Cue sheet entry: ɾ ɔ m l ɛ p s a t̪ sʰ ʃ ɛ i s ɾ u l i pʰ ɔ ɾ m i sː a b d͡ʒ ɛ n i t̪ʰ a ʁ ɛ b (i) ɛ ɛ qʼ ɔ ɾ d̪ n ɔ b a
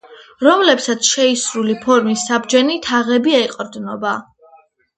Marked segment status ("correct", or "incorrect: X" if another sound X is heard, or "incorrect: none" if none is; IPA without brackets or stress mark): correct